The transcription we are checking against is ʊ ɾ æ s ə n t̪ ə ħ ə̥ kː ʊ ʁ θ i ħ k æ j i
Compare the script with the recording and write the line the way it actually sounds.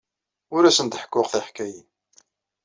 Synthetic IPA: ʊ ɾ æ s ə n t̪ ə ħ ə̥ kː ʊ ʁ θ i ħ k æ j i